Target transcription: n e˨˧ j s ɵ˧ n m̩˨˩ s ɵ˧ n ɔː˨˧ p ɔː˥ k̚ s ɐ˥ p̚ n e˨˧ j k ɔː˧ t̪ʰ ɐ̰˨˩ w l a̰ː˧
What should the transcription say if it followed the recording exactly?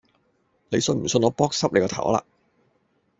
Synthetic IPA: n e˨˧ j s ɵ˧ n m̩˨˩ s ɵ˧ n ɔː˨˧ p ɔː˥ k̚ s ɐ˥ p̚ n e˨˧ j k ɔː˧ t̪ʰ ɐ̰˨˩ w l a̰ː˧